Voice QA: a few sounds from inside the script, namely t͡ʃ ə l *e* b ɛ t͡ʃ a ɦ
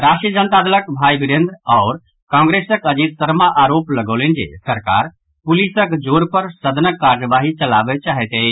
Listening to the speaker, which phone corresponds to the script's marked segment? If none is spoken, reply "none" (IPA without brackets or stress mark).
a